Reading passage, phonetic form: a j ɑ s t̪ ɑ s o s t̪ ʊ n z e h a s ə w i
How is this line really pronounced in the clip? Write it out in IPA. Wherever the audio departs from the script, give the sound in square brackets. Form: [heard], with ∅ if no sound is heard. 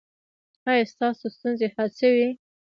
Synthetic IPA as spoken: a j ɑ s t̪ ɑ s o s t̪ [u] n z e h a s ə w i